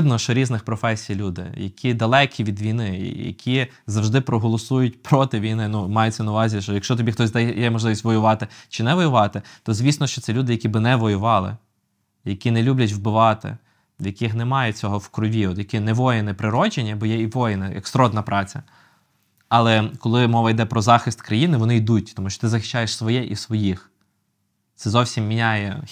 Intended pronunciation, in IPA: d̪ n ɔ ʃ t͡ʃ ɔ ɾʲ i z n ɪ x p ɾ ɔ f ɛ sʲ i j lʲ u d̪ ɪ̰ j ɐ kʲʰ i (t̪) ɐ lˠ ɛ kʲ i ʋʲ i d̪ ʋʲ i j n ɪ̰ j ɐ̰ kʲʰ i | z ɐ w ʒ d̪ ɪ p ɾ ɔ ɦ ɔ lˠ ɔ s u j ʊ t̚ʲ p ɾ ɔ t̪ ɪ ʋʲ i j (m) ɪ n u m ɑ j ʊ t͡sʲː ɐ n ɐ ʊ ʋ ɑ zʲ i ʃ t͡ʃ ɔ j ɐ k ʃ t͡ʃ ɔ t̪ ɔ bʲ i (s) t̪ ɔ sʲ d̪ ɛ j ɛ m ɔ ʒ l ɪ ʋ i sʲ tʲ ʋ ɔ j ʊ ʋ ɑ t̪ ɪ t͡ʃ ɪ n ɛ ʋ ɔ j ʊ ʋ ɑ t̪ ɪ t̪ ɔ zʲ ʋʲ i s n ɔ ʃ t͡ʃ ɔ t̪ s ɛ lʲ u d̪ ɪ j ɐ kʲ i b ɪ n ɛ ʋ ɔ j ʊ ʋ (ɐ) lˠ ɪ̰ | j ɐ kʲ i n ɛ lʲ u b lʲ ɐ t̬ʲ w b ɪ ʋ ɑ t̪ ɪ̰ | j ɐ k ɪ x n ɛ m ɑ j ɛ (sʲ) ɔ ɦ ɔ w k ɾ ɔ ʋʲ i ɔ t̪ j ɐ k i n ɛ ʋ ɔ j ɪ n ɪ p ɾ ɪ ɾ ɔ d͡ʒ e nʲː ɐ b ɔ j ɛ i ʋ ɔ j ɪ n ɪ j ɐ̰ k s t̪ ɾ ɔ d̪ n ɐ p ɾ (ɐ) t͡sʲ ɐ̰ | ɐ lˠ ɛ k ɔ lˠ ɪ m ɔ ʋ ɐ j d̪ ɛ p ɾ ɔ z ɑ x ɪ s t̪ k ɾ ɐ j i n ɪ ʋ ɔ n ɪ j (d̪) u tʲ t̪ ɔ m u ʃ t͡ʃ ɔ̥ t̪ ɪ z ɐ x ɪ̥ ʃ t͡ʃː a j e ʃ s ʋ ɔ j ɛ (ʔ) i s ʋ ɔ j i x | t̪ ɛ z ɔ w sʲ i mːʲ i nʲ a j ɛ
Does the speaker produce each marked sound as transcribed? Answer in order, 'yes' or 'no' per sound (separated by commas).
no, no, no, no, no, no, yes, yes